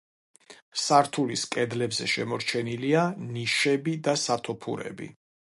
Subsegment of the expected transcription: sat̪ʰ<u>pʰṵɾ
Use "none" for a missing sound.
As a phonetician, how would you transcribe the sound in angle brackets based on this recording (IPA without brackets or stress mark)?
ɔ